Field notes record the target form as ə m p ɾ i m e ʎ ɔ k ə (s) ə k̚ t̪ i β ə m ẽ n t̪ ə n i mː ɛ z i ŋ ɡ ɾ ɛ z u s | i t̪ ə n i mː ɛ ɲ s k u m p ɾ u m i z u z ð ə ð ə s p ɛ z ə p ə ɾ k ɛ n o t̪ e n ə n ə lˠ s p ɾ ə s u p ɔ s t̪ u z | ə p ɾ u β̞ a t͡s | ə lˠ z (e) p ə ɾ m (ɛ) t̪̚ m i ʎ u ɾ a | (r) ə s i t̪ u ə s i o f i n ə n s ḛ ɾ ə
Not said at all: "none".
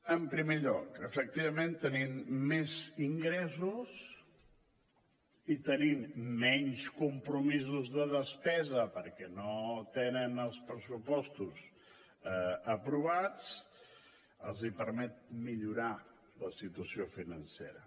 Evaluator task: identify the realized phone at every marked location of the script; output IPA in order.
f, i, ɛ, l

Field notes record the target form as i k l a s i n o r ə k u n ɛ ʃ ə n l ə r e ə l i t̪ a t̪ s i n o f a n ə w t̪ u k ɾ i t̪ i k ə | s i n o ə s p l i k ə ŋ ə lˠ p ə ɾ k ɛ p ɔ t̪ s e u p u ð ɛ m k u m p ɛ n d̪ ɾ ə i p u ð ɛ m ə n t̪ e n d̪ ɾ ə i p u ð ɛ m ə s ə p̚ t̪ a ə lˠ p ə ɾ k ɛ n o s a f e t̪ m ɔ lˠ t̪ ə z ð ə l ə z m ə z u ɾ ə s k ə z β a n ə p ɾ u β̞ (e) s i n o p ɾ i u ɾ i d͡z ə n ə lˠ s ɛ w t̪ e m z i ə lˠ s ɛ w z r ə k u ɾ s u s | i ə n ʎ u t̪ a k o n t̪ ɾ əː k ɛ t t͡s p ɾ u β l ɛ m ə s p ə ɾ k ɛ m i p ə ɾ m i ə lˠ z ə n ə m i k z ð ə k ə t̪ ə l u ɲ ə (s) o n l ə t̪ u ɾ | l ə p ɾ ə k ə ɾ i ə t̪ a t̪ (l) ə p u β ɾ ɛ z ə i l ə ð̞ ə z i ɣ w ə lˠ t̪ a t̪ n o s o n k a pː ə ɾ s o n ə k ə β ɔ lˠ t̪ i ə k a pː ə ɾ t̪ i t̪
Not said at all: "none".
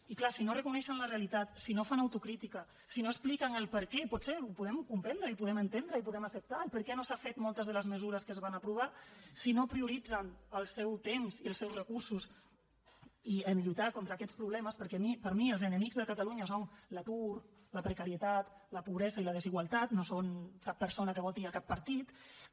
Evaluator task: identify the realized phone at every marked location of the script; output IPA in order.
a, s, l

